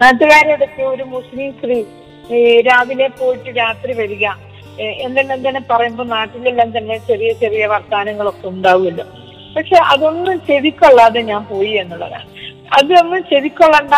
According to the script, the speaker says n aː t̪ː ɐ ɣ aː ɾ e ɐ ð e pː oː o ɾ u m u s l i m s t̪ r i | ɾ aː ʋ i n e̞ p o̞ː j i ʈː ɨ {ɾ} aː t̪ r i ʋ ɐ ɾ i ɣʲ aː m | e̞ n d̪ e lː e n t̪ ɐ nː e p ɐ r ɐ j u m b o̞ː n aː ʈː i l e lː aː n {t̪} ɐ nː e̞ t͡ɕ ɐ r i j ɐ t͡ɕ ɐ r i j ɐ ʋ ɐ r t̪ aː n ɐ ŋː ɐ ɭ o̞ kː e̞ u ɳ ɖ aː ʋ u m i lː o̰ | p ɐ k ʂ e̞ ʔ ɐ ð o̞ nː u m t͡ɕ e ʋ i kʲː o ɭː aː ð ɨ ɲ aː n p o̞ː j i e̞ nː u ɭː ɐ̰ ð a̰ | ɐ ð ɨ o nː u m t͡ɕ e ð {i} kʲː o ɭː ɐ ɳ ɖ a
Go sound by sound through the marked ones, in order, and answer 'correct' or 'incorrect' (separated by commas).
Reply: correct, correct, correct